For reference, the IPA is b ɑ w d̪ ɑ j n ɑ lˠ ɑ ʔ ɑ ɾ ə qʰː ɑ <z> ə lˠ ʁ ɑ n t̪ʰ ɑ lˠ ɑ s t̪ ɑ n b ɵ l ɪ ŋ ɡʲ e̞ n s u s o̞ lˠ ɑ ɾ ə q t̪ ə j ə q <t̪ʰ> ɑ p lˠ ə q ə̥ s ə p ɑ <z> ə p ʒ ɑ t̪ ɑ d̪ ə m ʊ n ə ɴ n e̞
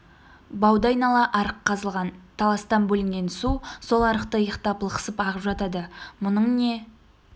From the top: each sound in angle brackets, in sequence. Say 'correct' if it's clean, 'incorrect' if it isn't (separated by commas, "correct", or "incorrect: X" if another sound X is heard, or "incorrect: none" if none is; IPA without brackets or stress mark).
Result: correct, incorrect: t̪, incorrect: ʁ